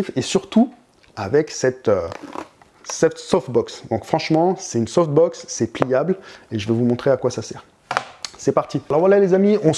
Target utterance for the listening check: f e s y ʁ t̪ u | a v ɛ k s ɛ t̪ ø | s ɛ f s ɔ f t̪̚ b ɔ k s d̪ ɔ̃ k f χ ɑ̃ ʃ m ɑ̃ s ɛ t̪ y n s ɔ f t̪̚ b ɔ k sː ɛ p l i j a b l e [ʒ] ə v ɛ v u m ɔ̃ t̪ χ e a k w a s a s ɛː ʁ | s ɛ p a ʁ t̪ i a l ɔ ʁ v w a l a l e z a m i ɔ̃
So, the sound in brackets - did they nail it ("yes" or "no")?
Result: yes